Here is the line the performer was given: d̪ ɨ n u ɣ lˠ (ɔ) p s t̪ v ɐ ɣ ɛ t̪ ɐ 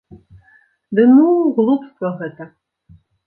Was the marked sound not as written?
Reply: yes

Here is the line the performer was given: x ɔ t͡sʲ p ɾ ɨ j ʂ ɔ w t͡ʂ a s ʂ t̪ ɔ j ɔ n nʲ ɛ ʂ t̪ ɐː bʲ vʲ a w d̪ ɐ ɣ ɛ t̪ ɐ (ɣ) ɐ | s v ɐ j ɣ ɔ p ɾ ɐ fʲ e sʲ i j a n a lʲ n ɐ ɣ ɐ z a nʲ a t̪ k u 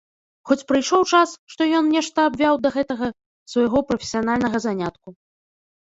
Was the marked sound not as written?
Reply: no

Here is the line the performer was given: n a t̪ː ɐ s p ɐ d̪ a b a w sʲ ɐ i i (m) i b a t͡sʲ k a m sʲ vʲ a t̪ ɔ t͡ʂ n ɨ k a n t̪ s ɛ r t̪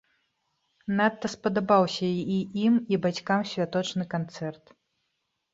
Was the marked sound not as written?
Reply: no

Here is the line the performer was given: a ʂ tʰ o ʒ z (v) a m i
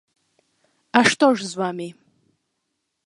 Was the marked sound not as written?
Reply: yes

